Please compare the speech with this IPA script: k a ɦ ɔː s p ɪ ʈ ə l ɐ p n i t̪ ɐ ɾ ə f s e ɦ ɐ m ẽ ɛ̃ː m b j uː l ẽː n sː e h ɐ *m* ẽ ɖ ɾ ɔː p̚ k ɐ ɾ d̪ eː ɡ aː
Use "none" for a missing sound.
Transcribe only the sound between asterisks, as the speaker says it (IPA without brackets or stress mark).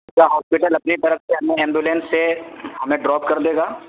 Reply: m